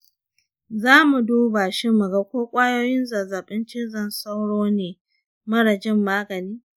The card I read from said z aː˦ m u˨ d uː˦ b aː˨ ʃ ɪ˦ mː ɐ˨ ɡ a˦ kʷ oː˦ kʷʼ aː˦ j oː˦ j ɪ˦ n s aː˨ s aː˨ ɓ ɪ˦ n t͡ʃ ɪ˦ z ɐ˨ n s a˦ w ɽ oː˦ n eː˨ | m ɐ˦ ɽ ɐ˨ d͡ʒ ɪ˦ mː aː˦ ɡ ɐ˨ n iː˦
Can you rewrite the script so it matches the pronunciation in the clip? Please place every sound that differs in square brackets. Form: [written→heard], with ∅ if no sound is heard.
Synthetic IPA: z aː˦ m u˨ d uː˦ b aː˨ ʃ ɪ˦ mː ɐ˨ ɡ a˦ kʷ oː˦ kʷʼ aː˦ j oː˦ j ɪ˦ n [s→z] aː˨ [s→z] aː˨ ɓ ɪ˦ n t͡ʃ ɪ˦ z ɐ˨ n s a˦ w ɽ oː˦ n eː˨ | m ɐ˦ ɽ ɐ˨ d͡ʒ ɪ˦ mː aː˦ ɡ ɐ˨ n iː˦